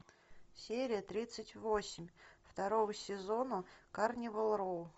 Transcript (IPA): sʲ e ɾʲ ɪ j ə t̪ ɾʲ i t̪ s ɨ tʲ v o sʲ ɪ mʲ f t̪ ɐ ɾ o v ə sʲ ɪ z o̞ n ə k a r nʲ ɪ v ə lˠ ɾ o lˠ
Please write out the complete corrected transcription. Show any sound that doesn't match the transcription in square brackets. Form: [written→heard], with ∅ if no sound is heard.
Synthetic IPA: sʲ e ɾʲ ɪ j ə t̪ ɾʲ i t̪ s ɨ tʲ v o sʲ ɪ mʲ f t̪ ɐ ɾ o v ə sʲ ɪ z o̞ n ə k a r nʲ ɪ v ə lˠ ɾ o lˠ